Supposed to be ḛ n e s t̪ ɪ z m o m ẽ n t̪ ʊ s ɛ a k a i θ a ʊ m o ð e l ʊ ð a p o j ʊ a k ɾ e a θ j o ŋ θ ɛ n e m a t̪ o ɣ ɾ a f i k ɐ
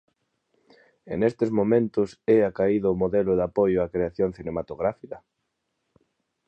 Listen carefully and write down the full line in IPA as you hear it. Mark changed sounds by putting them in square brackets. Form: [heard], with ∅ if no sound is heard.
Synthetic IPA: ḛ n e s t̪ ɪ z m o m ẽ n t̪ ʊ s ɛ a k a i [ð] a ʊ m o ð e l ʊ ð a p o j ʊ a k ɾ e a θ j o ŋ θ [i] n e m a t̪ o ɣ ɾ a f i k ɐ